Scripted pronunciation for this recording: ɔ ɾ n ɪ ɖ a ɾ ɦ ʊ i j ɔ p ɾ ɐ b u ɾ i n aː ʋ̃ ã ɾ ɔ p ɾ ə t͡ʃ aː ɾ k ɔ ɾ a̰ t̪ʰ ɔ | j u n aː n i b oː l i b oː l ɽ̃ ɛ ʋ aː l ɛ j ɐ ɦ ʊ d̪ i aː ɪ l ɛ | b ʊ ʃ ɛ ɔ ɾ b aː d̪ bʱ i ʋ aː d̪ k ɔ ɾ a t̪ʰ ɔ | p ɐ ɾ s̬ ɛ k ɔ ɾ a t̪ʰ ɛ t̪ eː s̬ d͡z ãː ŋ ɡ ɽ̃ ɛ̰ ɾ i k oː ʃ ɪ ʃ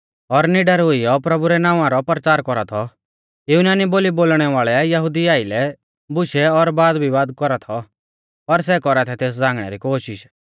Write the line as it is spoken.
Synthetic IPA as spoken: ɔ ɾ n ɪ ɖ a ɾ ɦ ʊ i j ɔ p ɾ ɐ b u ɾ ɛ n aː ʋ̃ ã ɾ ɔ p ɾ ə t͡ʃ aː ɾ k ɔ ɾ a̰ t̪ʰ ɔ | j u n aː n i b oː l i b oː l ɽ̃ ɛ ʋ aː ɭ ɛ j ɐ ɦ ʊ d̪ i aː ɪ l ɛ | b ʊ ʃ ɛ ɔ ɾ b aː d̪ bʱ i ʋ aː d̪ k ɔ ɾ a t̪ʰ ɔ | p ɐ ɾ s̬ ɛ k ɔ ɾ a t̪ʰ ɛ t̪ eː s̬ d͡z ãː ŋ ɡ ɽ̃ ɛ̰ ɾ i k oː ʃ ɪ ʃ